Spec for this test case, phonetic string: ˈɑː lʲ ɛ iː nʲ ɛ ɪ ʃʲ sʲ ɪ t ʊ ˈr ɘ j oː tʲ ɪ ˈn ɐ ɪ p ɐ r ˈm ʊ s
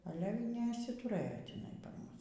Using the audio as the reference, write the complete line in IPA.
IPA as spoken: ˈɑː lʲ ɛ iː nʲ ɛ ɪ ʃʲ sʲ ɪ t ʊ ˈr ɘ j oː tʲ ɪ ˈn ɐ ɪ p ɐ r ˈm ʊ s